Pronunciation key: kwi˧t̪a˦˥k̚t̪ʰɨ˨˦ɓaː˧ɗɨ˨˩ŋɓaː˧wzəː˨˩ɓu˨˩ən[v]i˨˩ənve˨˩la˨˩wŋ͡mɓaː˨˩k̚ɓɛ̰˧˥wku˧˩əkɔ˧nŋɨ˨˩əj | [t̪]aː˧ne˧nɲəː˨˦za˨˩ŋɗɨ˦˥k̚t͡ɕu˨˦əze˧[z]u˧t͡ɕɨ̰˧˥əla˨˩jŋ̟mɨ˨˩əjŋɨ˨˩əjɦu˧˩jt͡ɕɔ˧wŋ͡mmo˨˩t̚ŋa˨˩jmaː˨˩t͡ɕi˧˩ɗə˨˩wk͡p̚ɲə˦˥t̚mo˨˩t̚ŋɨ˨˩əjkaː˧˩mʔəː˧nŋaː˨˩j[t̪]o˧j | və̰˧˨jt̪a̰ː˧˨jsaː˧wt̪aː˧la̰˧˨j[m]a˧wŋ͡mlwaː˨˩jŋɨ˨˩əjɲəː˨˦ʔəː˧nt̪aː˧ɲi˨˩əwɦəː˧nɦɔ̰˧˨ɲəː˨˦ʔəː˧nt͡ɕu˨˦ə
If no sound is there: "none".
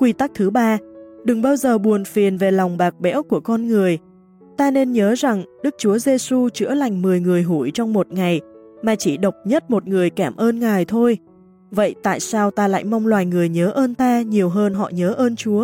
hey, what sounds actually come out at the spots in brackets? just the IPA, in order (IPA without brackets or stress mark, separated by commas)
f, t̪, s, t̪ʰ, m